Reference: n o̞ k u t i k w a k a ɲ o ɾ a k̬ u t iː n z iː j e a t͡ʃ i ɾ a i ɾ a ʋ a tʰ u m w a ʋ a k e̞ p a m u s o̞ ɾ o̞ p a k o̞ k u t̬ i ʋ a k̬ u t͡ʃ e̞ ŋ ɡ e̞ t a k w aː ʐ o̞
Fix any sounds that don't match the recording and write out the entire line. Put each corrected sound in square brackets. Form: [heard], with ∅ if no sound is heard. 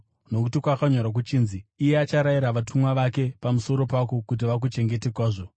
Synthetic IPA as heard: n o̞ k u t i k w a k a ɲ o ɾ a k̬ u [t͡ʃ] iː n z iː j e a t͡ʃ [a] ɾ a i ɾ a ʋ a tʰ u m w a ʋ a k e̞ p a m u s o̞ ɾ o̞ p a k o̞ k u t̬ i ʋ a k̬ u t͡ʃ e̞ ŋ ɡ e̞ t [e] k w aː ʐ o̞